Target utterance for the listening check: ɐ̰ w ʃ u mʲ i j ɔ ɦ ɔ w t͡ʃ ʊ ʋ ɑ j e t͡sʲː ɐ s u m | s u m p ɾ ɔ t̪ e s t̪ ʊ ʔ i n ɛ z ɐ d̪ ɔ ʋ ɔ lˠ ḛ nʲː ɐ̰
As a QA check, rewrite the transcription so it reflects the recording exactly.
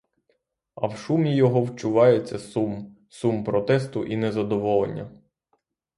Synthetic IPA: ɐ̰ w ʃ u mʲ i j ɔ ɦ ɔ w t͡ʃ ʊ ʋ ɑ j e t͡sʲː ɐ s u m | s u m p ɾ ɔ t̪ ɛ s t̪ ʊ ʔ i n ɛ z ɐ d̪ ɔ ʋ ɔ lˠ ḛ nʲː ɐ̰

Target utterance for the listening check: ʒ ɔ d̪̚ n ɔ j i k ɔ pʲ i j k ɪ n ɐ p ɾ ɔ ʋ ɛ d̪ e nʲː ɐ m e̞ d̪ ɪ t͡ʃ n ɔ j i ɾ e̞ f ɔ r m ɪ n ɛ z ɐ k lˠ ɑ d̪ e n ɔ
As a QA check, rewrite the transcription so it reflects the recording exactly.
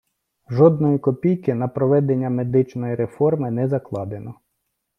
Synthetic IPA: ʒ ɔ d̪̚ n ɔ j i k ɔ pʲ i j k ɪ n ɐ p ɾ ɔ ʋ ɛ d̪ e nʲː ɐ m e̞ d̪ ɪ t͡ʃ n ɔ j i ɾ e̞ f ɔ r m ɪ n ɛ z ɐ k lˠ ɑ d̪ e n ɔ

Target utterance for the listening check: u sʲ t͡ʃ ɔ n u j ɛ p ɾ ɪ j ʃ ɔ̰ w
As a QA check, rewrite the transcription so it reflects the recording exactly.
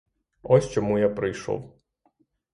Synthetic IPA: ɔ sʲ t͡ʃ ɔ m u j a p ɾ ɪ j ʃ ɔ̰ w

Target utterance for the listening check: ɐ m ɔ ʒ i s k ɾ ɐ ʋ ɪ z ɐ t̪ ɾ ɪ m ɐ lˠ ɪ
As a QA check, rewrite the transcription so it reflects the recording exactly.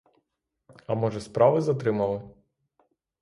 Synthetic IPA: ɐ m ɔ ʒ ɛ s p ɾ ɑ ʋ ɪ z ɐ t̪ ɾ ɪ m ɐ lˠ ɪ

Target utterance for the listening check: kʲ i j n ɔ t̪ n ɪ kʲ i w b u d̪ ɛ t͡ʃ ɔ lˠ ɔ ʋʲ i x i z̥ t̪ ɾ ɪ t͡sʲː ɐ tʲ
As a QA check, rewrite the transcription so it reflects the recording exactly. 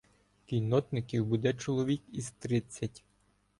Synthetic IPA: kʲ i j n ɔ t̪ n ɪ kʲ i w b u d̪ ɛ t͡ʃ ɔ lˠ ɔ ʋʲ i k i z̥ t̪ ɾ ɪ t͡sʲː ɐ tʲ

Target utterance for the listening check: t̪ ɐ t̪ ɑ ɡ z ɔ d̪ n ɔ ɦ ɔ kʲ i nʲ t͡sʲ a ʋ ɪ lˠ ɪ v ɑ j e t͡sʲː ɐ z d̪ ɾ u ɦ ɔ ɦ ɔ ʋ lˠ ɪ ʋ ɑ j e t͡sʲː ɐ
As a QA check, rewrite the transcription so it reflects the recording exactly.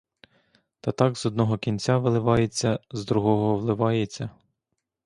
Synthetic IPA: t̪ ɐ t̪ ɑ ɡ z ɔ d̪ n ɔ ɦ ɔ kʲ i nʲ t͡sʲ a ʋ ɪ lˠ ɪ ʋ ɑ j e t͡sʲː ɐ z d̪ ɾ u ɦ ɔ ɦ ɔ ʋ lˠ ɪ ʋ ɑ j e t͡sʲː ɐ

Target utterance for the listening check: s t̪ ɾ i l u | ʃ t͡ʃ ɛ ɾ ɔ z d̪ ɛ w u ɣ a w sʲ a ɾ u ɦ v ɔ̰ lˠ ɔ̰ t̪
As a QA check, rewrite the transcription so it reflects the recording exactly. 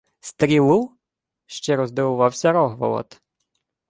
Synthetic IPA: s t̪ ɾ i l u | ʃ t͡ʃ ɛ ɾ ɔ z d̪ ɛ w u v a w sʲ a ɾ ɔ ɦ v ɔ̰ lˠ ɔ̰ t̪

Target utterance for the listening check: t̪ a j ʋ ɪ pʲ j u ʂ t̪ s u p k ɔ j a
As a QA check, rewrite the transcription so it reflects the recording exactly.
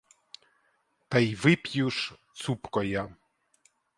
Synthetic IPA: t̪ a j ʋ ɪ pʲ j u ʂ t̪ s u p k ɔ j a

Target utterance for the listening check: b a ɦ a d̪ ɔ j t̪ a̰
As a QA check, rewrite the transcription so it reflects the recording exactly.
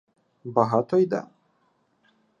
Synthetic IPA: b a ɦ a t̪ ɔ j d̪ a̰

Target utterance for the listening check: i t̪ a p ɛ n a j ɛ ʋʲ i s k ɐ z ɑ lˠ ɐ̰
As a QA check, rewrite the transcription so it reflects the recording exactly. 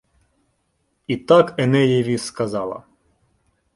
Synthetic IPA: i t̪ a k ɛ n ɛ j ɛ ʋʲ i s k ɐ z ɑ lˠ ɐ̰

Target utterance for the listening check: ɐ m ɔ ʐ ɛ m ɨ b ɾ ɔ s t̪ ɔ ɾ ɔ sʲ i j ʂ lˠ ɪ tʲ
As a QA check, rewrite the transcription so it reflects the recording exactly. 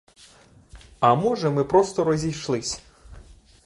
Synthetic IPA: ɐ m ɔ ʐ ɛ m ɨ p ɾ ɔ s t̪ ɔ ɾ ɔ zʲ i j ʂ lˠ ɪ sʲ

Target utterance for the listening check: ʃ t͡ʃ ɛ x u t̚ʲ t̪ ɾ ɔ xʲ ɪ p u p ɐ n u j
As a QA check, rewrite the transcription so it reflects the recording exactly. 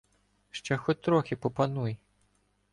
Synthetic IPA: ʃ t͡ʃ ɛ x ɔ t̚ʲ t̪ ɾ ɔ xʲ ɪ p ɔ p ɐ n u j

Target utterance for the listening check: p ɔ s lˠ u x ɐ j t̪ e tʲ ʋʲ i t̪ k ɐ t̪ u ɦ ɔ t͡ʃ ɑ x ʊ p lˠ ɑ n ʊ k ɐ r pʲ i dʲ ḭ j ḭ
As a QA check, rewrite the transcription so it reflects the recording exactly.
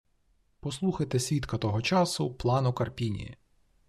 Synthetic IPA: p ɔ s lˠ u x ɐ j t̪ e sʲ ʋʲ i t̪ k ɐ t̪ ɔ ɦ ɔ t͡ʃ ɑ s ʊ p lˠ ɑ n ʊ k ɐ r pʲ i nʲ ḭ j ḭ

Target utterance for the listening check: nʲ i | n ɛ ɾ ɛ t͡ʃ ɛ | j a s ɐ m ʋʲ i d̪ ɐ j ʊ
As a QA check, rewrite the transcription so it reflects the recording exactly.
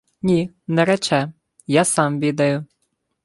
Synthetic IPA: nʲ i | n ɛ ɾ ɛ t͡ʃ ɛ | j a s ɑ m ʋʲ i d̪ ɐ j ʊ

